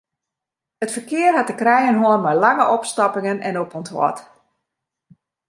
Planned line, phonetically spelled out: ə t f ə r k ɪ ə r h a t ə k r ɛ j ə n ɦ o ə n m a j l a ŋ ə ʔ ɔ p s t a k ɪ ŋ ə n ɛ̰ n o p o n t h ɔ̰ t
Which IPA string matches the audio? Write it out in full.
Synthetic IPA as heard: ə t f ə r k ɪ ə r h a t ə k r ɛ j ə n ɦ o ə n m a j l a ŋ ə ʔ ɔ p s t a p ɪ ŋ ə n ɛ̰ n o p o n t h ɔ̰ t